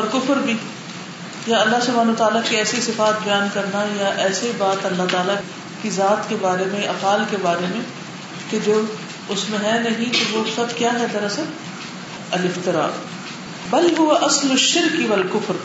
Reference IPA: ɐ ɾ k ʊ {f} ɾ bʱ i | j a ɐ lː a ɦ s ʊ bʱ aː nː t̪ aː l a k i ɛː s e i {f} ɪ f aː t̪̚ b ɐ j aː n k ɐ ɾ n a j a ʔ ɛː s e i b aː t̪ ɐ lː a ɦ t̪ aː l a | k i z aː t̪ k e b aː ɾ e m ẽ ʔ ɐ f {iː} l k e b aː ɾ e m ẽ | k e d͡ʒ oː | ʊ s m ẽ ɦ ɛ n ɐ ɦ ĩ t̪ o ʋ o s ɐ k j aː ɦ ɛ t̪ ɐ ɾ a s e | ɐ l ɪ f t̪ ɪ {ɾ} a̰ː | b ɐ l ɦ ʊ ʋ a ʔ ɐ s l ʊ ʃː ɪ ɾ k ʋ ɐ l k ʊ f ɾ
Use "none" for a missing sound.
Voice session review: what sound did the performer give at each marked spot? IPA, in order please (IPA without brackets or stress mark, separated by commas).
f, s, aː, ɾ